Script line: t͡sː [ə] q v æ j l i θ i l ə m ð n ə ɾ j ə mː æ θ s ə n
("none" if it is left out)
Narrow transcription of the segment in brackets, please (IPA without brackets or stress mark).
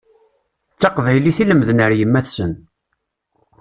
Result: ɑ